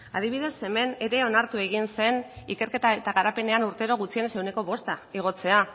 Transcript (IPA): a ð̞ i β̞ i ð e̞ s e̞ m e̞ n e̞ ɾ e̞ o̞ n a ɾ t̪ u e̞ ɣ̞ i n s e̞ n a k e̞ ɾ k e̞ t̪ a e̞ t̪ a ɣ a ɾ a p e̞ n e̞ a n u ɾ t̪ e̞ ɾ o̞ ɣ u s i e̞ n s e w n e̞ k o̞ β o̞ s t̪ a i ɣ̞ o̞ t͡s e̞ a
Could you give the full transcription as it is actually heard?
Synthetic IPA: a ð̞ i β̞ i ð e̞ s e̞ m e̞ n e̞ ɾ e̞ o̞ n a ɾ t̪ u e̞ ɣ̞ i n s e̞ n i k e̞ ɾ k e̞ t̪ a e̞ t̪ a ɣ a ɾ a p e̞ n e̞ a n u ɾ t̪ e̞ ɾ o̞ ɣ u t͡s i e̞ n s e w n e̞ k o̞ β o̞ s t̪ a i ɣ̞ o̞ t͡s e̞ a

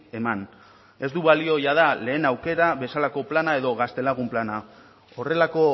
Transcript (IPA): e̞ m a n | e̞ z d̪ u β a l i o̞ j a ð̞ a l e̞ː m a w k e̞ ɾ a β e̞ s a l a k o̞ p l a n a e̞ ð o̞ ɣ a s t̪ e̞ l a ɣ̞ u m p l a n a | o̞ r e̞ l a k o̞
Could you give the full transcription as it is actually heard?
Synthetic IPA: e̞ m a n | e̞ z d̪ u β a l i o̞ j a ð̞ a l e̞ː n a w k e̞ ɾ a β e̞ s a l a k o̞ p l a n a e̞ ð o̞ ɣ a s t̪ e̞ l a ɣ̞ u m p l a n a | o̞ r e̞ l a k o̞

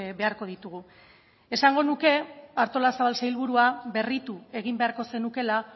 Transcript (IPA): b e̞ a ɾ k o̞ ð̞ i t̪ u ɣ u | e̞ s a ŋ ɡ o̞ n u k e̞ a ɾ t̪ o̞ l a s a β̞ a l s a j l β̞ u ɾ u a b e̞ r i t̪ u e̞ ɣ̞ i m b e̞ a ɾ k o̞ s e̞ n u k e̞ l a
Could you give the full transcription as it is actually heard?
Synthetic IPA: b e̞ a ɾ k o̞ ð̞ i t̪ u ɣ u | e̞ s a ŋ ɡ o̞ n u k e̞ a ɾ t̪ o̞ l a s a β̞ a l s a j l β̞ u ɾ u a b e̞ r i t̪ u e̞ ɣ̞ i m b e̞ a ɾ k o̞ s e̞ n u k e̞ l a

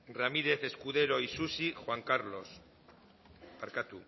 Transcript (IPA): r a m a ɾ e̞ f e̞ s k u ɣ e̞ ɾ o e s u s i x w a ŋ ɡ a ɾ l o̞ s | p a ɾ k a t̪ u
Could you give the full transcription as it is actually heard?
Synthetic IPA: r a m i ɾ e̞ θ e̞ s k u ð e̞ ɾ o i s u s i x w a ŋ k a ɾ l o̞ s | p a ɾ k a t̪ u

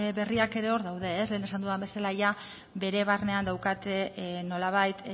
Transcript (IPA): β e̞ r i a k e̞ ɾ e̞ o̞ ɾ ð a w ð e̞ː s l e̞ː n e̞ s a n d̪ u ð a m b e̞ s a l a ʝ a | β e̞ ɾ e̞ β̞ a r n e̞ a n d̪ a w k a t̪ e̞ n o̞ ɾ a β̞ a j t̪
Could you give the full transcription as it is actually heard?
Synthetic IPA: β e̞ r i a k e̞ ɾ e̞ o̞ ɾ ð a w ð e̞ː s l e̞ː n e̞ s a n d̪ u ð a m b e̞ s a l a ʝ a | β e̞ ɾ e̞ β̞ a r n e̞ a n d̪ a w k a t̪ e̞ n o̞ l a β̞ a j t̪

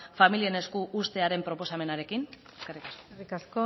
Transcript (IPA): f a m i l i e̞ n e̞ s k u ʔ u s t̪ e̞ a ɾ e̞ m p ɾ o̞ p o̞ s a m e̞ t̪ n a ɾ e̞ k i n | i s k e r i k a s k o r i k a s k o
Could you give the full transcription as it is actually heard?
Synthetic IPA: f a m i l i e̞ n e̞ s k u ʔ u s t̪ e̞ a ɾ e̞ m p ɾ o̞ p o̞ s a m e̞ n a ɾ e̞ k i n | e s k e r i k a s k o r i k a s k o

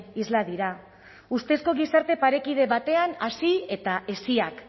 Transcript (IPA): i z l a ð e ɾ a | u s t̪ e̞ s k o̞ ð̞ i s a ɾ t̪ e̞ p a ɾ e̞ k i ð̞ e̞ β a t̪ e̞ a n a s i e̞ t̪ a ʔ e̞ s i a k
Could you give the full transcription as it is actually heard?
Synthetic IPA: i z l a ð i ɾ a | u s t̪ e̞ s k o̞ ɣ̞ i s a ɾ t̪ e̞ p a ɾ e̞ k i ð̞ e̞ β a t̪ e̞ a n a s i e̞ t̪ a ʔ e̞ s i a k

